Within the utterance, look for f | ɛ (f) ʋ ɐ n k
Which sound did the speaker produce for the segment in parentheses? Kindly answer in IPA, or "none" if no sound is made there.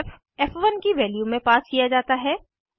f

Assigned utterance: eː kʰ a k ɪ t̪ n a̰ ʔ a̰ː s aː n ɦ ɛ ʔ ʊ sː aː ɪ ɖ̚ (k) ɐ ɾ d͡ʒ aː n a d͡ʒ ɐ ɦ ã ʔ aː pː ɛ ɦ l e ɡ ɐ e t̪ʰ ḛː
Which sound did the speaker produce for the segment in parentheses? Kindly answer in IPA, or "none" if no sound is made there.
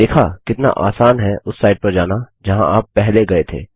p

